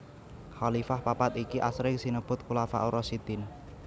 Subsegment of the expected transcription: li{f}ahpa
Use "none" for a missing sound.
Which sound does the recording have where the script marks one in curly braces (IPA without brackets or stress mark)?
f